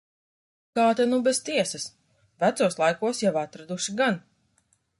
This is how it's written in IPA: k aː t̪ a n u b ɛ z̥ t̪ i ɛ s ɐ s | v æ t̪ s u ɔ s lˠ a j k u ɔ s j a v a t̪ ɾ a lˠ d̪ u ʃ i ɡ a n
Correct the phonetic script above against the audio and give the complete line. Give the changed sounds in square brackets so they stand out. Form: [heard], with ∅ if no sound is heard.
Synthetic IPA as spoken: k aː t̪ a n u b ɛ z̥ t̪ i ɛ s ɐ s | v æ t̪ s u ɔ s lˠ a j k u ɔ s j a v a t̪ ɾ a [∅] d̪ u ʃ i ɡ a n

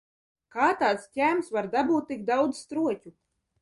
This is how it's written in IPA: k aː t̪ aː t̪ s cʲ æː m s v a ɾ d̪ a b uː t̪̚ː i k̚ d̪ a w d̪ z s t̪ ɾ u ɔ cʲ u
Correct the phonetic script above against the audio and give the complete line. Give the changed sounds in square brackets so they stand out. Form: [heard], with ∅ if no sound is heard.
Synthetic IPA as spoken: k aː t̪ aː t̪ s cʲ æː m s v a ɾ d̪ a b uː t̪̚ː i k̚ d̪ a w d̪ z s t̪ ɾ u ɔ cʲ u

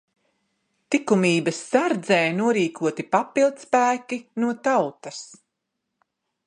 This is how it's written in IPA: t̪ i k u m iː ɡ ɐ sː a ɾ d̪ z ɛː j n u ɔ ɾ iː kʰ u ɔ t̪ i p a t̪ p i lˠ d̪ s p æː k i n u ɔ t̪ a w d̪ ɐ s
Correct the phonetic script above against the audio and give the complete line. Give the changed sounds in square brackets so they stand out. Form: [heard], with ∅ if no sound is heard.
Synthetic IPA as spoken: t̪ i k u m iː [b] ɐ sː a ɾ d̪ z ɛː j n u ɔ ɾ iː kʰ u ɔ t̪ i p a [∅] p i lˠ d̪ s p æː k i n u ɔ t̪ a w [t̪] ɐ s

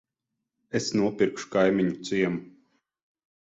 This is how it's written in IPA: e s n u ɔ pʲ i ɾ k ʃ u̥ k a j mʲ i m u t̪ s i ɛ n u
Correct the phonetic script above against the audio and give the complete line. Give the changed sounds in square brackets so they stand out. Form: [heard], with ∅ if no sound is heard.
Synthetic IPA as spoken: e s n u ɔ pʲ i ɾ k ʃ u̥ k a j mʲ i [ɲ] u t̪ s i ɛ [m] u

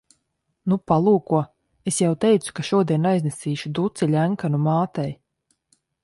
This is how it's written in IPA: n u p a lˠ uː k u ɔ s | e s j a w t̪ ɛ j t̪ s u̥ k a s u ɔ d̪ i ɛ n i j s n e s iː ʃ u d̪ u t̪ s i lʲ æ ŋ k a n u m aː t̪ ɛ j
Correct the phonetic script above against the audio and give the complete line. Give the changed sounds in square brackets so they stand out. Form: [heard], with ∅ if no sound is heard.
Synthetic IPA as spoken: n u p a lˠ uː k u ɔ [∅] | e s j a w t̪ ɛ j t̪ s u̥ k a [ʃ] u ɔ d̪ i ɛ n [a] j [z] n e s iː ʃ u d̪ u t̪ s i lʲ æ ŋ k a n u m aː t̪ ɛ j

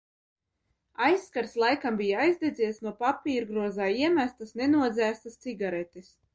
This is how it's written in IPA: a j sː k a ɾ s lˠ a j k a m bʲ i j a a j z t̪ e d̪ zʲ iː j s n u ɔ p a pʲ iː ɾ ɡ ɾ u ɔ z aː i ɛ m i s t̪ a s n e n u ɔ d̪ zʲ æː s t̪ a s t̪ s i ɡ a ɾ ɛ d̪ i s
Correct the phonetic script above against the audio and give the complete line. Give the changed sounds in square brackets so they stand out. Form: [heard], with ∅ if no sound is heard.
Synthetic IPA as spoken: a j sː k a ɾ s lˠ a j k a m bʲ i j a a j z [d̪] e d̪ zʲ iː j s n u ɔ p a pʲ iː ɾ ɡ ɾ u ɔ z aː i ɛ m [æ] s t̪ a s n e n u ɔ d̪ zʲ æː s t̪ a s t̪ s i ɡ a ɾ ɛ [t̪] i s

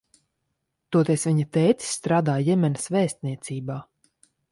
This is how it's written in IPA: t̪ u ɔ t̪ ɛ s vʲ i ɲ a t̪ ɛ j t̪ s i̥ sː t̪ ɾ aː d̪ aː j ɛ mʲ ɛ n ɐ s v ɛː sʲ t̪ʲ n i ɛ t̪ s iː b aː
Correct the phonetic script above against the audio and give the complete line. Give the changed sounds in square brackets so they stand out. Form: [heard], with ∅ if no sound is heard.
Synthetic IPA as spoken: t̪ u ɔ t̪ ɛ s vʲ i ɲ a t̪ ɛ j t̪ s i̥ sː t̪ ɾ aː d̪ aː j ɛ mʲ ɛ n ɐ s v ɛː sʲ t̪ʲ n i ɛ t̪ s iː b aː

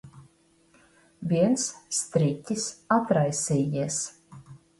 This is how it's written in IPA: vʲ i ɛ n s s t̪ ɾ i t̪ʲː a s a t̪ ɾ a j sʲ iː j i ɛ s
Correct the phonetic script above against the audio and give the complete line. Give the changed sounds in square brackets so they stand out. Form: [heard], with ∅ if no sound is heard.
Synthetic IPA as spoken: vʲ i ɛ n s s t̪ ɾ i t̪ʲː [i] s a t̪ ɾ a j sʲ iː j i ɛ s

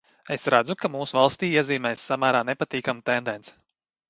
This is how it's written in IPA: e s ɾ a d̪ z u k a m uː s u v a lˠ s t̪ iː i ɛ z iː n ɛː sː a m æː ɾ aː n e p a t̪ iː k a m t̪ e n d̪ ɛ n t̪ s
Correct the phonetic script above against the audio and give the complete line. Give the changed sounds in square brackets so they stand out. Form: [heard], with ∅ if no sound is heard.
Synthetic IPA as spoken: e s ɾ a d̪ z u k a m uː s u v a lˠ s t̪ iː i ɛ z iː [m] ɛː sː a m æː ɾ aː n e p a t̪ iː k a m t̪ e n d̪ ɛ n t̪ s

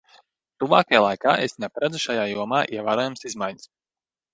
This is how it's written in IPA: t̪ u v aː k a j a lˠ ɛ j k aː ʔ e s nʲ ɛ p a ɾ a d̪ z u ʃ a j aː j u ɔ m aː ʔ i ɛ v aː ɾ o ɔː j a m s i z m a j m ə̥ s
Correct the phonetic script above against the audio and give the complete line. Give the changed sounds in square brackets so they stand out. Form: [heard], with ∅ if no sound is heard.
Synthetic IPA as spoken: t̪ u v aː k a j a lˠ [a] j k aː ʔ e s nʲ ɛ p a ɾ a d̪ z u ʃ a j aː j u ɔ m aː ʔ i ɛ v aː ɾ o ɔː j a m s i z m a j [ɲ] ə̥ s

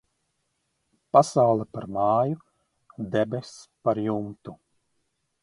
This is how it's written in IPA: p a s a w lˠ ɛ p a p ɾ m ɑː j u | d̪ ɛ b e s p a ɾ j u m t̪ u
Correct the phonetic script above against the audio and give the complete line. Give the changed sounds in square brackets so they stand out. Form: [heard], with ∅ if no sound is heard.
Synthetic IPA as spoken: p a s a w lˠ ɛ p a [∅] ɾ m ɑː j u | d̪ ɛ b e s p a ɾ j u m t̪ u

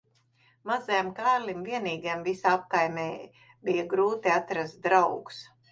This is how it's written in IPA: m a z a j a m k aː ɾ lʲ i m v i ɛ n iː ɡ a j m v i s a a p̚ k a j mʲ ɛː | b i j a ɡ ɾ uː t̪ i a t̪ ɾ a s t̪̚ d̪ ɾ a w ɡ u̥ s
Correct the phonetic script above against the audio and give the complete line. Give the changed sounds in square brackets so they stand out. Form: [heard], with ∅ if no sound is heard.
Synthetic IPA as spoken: m a z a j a m k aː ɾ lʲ i m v i ɛ n iː ɡ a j m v i s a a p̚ k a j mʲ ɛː | b i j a ɡ ɾ uː t̪ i a t̪ ɾ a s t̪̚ d̪ ɾ a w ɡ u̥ s

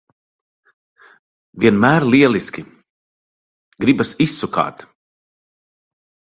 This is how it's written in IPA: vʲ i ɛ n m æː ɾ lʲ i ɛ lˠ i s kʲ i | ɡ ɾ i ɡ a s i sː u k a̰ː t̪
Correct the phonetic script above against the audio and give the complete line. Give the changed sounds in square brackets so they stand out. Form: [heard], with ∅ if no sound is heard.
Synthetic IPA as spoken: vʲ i ɛ n m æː ɾ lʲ i ɛ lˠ i s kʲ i | ɡ ɾ i [b] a s i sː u k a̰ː t̪

